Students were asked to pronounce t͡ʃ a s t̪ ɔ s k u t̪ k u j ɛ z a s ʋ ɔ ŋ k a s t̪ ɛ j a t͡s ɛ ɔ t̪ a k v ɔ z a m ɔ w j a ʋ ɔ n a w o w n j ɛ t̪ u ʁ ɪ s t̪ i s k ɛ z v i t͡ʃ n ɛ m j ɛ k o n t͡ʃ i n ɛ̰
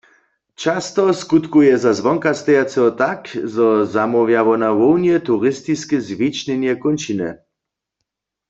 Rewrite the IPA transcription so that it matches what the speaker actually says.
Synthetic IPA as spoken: t͡ʃ a s t̪ ɔ s k u t̪ k u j ɛ z a z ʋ ɔ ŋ k a s t̪ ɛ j a t͡s ɛ ɔ t̪ a k z ɔ z a m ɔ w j a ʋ ɔ n a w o w n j ɛ t̪ u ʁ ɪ s t̪ i s k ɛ z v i t͡ʃ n ɛ n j ɛ k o n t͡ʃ i n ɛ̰